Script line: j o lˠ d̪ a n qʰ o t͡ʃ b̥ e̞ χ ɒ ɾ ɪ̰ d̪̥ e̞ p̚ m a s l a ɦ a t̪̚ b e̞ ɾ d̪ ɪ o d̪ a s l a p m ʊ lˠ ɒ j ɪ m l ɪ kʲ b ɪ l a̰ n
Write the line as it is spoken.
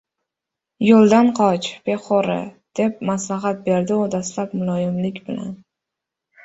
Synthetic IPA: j o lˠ d̪ a n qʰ ɒ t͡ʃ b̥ e̞ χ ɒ ɾ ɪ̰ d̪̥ e̞ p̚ m a s l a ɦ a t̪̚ b e̞ ɾ d̪ ɪ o d̪ a s l a p m ʊ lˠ ɒ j ɪ m l ɪ kʲ b ɪ l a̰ n

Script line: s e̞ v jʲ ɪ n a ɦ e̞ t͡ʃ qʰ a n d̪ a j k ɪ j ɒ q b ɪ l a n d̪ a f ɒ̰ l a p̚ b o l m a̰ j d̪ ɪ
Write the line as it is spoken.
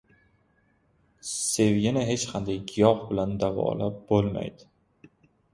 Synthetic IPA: s e̞ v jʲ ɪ n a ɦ e̞ t͡ʃ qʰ a n d̪ a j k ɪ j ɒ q b ɪ l a n d̪ a v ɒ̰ l a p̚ b o l m a̰ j d̪ ɪ

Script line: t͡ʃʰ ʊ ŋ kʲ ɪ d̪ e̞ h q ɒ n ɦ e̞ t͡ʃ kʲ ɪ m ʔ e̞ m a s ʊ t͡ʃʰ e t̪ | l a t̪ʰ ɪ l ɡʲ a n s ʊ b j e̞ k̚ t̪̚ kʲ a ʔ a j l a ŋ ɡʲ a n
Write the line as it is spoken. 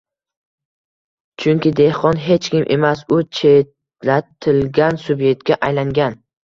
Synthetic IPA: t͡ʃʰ ʊ ŋ kʲ ɪ d̪ e̞ h q ɒ n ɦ e̞ t͡ʃ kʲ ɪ m ʔ e̞ m a s ʊ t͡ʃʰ e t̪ | l a t̪ʰ ɪ l ɡʲ a n s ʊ b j e̞ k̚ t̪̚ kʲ a ʔ a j l a ŋ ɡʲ a n

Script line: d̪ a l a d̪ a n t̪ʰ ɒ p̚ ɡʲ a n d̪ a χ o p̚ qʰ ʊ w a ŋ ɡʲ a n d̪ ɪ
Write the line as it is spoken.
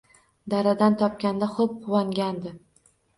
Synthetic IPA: d̪ a ɾ a d̪ a n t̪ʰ ɒ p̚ kʲ a n d̪ a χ o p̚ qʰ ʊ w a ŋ ɡʲ a n d̪ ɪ

